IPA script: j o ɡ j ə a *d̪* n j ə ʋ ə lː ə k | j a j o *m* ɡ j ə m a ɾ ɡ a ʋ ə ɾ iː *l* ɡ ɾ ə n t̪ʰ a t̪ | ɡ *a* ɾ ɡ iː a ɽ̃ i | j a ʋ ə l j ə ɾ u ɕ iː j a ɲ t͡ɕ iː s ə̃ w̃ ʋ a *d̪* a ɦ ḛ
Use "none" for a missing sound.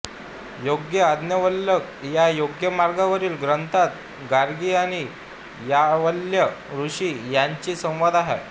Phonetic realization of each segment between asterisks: d̪, none, l, a, d̪

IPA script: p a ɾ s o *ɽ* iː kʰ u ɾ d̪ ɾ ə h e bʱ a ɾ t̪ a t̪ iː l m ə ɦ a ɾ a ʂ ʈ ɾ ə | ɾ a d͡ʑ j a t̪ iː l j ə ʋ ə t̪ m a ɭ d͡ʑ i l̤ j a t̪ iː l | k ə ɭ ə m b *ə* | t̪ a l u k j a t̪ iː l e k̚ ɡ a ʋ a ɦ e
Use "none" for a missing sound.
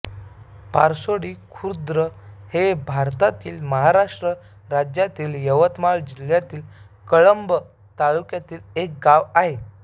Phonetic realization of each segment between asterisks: ɽ, ə

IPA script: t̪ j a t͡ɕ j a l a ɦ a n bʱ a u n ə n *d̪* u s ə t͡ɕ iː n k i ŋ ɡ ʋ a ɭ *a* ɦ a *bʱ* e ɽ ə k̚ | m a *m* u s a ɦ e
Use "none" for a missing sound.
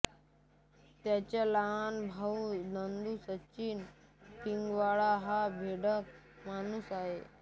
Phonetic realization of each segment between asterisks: d̪, a, bʱ, n

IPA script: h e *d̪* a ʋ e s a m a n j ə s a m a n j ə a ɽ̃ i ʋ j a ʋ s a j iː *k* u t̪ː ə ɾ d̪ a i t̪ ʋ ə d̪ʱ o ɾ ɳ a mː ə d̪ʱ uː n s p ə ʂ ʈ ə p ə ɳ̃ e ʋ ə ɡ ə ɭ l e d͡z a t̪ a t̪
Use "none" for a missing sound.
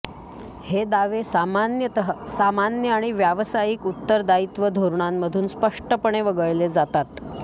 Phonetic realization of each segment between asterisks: d̪, k

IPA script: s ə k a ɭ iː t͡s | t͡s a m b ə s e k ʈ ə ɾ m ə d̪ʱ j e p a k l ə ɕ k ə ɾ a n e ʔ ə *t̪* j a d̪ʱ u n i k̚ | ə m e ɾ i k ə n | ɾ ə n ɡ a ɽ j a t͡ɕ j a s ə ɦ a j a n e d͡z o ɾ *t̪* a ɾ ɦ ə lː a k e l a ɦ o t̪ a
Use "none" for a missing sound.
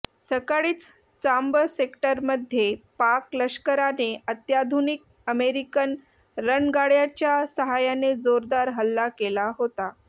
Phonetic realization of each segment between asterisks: t̪, d̪

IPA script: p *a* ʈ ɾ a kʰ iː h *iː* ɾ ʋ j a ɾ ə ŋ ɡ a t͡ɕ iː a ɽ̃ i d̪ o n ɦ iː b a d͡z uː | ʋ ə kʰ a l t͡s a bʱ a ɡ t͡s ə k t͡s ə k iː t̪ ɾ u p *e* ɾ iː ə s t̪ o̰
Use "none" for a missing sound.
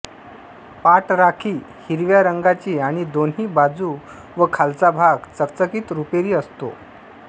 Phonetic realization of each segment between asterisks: a, i, e

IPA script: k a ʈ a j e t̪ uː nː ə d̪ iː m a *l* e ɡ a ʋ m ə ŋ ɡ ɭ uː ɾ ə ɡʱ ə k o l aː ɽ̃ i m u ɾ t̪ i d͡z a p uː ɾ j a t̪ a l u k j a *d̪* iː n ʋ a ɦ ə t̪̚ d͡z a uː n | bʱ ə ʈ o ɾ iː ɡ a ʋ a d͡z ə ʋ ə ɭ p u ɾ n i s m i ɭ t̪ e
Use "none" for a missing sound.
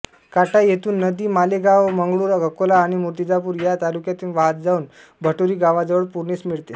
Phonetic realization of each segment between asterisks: l, t̪

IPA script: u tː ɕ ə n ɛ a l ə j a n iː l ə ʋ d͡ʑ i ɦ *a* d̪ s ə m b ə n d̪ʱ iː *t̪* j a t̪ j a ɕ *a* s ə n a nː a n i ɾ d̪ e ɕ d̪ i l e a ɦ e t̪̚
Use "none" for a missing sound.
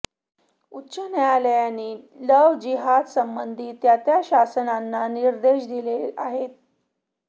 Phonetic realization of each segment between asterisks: a, t̪, a

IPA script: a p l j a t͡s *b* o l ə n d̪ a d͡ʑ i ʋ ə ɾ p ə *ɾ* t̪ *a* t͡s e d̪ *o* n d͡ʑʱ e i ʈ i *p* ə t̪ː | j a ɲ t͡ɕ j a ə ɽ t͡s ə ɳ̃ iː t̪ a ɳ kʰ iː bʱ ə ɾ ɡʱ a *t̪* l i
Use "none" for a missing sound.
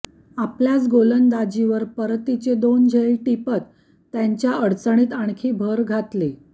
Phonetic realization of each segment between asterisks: ɡ, ɾ, i, o, p, t̪

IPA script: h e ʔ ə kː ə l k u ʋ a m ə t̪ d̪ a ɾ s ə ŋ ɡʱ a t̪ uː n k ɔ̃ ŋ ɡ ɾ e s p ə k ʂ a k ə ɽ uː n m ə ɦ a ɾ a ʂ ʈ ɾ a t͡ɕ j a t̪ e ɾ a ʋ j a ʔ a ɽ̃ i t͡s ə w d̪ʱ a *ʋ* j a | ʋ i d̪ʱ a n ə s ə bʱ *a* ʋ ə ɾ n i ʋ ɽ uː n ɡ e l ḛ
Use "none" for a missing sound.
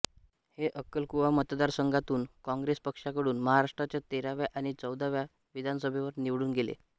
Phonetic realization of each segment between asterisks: ʋ, e

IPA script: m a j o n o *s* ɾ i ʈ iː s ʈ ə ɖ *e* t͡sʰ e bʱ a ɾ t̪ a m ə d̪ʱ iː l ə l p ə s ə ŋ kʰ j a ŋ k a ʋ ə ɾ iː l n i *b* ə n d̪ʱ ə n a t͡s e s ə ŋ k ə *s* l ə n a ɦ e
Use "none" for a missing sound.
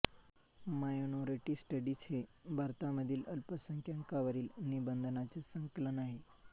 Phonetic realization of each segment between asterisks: none, i, b, none

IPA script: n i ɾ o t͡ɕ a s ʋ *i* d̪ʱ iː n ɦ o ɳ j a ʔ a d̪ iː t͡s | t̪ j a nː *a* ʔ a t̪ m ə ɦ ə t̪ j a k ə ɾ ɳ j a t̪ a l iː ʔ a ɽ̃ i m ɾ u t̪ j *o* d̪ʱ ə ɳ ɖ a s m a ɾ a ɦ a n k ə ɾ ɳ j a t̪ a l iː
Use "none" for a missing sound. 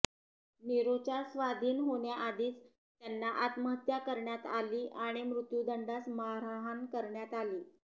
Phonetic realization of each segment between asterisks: a, a, u

